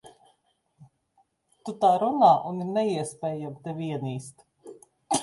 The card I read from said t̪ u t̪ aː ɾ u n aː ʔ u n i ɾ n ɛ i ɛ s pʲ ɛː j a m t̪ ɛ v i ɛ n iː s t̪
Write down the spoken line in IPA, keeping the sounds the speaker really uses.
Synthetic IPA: t̪ u t̪ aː ɾ u n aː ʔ u n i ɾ n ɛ i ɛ s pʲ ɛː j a m t̪ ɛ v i ɛ n iː s t̪